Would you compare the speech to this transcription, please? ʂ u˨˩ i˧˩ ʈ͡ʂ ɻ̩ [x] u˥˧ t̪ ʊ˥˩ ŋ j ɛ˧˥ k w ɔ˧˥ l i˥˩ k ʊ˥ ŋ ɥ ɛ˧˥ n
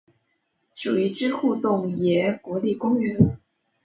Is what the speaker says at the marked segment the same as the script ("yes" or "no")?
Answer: yes